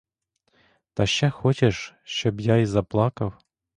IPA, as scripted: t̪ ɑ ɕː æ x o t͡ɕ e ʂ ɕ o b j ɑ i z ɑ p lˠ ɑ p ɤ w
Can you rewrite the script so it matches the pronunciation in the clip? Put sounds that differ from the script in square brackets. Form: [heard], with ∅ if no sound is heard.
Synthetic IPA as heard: t̪ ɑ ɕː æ x o t͡ɕ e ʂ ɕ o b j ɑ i z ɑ p lˠ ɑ [k] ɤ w